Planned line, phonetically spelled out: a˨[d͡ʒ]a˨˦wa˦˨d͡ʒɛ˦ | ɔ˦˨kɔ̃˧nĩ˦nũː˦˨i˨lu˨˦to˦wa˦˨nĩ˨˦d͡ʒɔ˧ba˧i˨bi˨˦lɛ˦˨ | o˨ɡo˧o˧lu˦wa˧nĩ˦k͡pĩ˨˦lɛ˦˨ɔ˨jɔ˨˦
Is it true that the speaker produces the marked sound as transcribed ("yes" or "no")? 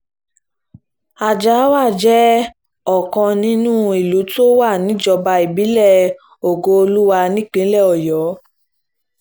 yes